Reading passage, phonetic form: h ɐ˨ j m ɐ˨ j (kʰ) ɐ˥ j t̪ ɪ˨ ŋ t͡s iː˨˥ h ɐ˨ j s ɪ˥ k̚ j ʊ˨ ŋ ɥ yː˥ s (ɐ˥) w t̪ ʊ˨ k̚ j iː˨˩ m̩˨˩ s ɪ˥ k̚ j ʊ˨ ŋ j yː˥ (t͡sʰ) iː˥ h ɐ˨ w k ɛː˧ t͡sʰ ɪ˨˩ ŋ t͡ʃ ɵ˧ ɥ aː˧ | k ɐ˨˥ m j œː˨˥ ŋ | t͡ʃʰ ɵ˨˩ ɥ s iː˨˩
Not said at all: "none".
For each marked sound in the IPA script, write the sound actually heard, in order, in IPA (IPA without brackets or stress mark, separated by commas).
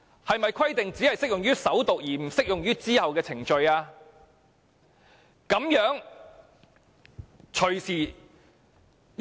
kʰ, ɐ˨˥, t͡s